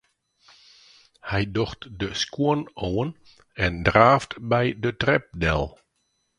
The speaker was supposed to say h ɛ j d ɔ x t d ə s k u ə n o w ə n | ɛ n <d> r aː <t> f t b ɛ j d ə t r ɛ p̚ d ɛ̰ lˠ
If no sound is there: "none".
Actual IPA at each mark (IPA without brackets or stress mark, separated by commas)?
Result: d, none